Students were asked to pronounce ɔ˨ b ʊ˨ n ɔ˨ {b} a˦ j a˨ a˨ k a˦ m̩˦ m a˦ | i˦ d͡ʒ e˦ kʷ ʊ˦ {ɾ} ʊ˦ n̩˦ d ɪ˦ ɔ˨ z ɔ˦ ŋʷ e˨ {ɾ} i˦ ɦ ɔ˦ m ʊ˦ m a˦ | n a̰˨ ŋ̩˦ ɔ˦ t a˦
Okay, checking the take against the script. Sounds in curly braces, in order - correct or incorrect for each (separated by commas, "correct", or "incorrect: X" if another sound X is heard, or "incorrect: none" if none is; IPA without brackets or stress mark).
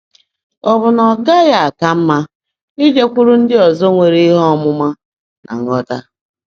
incorrect: ɡ, correct, correct